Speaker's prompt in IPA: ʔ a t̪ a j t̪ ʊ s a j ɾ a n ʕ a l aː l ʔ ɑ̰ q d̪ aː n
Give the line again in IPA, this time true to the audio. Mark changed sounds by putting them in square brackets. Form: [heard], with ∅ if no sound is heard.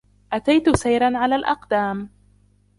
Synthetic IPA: ʔ a t̪ a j t̪ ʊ s a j ɾ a n ʕ a l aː l ʔ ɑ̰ q d̪ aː [m]